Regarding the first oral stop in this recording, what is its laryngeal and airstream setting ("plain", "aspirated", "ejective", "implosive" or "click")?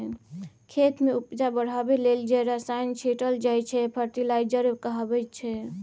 aspirated